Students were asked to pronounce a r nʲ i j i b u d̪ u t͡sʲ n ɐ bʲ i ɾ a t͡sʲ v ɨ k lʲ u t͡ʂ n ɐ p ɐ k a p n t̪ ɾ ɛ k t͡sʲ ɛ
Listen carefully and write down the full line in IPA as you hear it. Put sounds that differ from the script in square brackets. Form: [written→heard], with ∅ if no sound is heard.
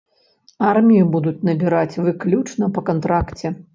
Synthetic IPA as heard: a r [nʲ→mʲ] i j i b u d̪ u t͡sʲ n ɐ bʲ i ɾ a t͡sʲ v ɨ k lʲ u t͡ʂ n ɐ p ɐ k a [p→∅] n t̪ ɾ [ɛ→a] k t͡sʲ ɛ